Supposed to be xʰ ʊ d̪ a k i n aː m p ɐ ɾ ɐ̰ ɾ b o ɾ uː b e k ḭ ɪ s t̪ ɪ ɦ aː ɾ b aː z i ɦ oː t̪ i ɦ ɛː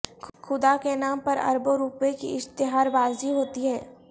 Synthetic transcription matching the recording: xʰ ʊ d̪ a k e n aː m p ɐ ɾ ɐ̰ ɾ b o ɾ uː p e k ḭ ɪ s t̪ ɪ ɦ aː ɾ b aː z i ɦ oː t̪ i ɦ ɛː